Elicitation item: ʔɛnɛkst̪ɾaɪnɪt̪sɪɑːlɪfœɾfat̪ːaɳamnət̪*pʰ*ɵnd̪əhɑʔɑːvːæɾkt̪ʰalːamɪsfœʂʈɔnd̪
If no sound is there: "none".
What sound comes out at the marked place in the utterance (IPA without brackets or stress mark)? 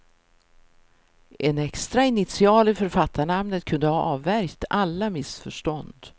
kʰ